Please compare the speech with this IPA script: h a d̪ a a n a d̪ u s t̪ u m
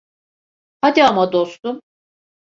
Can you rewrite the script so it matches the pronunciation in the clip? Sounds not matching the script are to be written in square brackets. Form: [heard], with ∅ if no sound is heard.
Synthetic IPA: h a d̪ [i] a [m] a d̪ [o] s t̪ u m

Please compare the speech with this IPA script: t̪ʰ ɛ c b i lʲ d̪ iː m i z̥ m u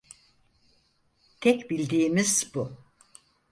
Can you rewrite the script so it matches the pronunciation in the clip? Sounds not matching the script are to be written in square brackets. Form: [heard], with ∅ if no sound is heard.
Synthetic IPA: t̪ʰ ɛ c b i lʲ d̪ iː m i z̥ [b] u

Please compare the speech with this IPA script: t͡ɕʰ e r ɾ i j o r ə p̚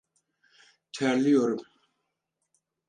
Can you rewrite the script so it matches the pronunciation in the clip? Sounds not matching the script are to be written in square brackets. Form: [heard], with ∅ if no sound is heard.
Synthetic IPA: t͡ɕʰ [a] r [l] i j o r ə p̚

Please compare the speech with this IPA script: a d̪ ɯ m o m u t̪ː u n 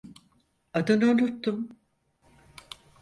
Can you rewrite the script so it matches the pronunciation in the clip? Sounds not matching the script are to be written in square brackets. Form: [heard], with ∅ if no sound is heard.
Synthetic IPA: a d̪ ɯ [n] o [n] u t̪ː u [m]

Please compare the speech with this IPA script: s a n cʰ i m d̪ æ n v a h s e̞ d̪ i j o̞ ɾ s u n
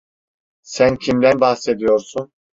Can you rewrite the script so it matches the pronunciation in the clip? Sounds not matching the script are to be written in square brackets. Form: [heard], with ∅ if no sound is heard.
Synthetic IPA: s [æ] n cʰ i m d̪ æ n [b] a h s e̞ d̪ i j o̞ ɾ s u n

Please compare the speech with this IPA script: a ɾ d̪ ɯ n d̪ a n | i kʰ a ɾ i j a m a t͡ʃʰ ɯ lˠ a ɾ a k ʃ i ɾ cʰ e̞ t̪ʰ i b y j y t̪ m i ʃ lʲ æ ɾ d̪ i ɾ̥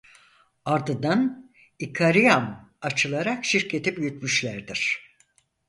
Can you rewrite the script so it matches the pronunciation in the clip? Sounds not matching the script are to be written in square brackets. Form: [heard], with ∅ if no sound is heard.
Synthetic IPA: a ɾ d̪ ɯ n d̪ a n | i kʰ a ɾ i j a m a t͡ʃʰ ɯ lˠ a ɾ a k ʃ i ɾ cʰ e̞ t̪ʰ i b y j y t̪ m [y] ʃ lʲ æ ɾ d̪ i ɾ̥

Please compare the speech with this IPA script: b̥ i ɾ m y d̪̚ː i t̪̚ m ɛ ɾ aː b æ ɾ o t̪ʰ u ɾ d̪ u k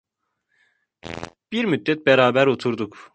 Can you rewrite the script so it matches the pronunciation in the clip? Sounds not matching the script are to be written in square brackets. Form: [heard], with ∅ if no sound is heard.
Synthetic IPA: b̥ i ɾ m y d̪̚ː [ɛ] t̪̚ [b] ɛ ɾ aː b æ ɾ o t̪ʰ u ɾ d̪ u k

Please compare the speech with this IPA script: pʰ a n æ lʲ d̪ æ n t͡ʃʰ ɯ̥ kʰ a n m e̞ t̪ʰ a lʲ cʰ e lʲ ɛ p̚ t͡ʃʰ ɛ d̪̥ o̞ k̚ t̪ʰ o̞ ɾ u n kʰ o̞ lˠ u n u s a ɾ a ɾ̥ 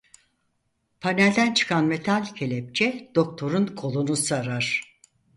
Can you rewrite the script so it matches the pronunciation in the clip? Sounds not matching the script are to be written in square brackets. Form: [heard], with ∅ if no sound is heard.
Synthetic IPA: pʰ a n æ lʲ d̪ æ n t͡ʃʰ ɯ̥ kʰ a n m e̞ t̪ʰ a lʲ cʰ e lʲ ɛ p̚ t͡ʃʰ ɛ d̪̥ o̞ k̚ t̪ʰ o̞ ɾ u n kʰ o̞ lˠ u n u s a ɾ a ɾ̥

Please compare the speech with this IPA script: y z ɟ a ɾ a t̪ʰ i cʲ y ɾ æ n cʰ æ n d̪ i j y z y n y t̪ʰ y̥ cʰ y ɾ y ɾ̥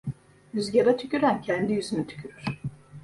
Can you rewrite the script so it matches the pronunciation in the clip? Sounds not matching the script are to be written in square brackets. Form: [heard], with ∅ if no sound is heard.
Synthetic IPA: y z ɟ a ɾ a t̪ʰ [y] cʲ y ɾ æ n cʰ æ n d̪ i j y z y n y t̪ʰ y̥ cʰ y ɾ y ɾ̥

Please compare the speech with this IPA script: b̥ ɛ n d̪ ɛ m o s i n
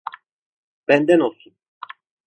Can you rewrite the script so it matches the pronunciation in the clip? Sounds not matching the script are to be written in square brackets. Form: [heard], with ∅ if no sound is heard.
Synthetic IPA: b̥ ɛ n d̪ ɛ [n] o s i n

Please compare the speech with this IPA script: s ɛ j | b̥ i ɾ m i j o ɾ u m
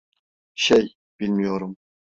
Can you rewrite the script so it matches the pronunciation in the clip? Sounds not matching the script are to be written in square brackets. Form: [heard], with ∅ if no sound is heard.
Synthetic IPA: [ʃ] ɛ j | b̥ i [l] m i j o ɾ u m

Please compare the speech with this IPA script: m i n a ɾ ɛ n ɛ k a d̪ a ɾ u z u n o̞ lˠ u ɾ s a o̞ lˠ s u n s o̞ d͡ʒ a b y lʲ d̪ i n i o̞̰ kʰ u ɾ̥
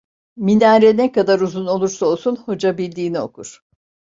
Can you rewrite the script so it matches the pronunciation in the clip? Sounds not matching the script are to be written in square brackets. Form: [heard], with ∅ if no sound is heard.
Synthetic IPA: m i n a ɾ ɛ n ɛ k a d̪ a ɾ u z u n o̞ lˠ u ɾ s a o̞ lˠ s u n [h] o̞ d͡ʒ a b [i] lʲ d̪ [iː] n i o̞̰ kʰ u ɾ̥

